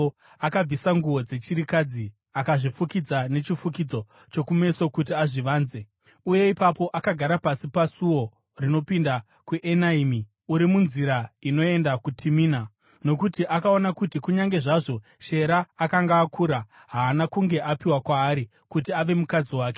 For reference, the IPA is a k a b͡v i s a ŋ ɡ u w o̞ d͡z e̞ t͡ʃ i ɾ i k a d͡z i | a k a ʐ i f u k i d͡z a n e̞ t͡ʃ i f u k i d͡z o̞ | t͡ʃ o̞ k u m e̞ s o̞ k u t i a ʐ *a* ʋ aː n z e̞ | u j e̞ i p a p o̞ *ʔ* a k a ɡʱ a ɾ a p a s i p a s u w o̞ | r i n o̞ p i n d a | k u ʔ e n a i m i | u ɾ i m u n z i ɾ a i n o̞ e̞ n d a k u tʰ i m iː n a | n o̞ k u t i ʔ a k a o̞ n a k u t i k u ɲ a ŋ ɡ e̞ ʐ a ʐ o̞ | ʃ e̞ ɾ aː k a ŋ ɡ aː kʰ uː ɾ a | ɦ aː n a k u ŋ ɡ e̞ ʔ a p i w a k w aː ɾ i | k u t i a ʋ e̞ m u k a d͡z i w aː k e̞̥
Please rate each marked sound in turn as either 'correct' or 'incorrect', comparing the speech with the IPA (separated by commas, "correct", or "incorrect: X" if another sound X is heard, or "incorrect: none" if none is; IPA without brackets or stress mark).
incorrect: i, correct